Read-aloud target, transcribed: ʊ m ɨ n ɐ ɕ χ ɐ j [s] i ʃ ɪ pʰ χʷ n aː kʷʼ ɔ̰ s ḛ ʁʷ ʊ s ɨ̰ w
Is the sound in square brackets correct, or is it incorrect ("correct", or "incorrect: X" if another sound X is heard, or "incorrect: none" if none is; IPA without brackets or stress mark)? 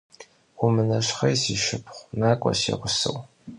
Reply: correct